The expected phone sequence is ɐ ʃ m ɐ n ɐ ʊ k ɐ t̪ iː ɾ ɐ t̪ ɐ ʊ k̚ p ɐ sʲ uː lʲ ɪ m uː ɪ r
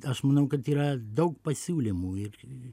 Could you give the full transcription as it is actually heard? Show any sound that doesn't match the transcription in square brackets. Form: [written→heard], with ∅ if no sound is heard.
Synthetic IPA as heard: ɐ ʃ m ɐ n ɐ ʊ k ɐ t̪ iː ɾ ɐ [t̪→d̪] ɐ ʊ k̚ p ɐ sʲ uː lʲ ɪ m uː ɪ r